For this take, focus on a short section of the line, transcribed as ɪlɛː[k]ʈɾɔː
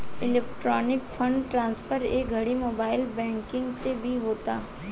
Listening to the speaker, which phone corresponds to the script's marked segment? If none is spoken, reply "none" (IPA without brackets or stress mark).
k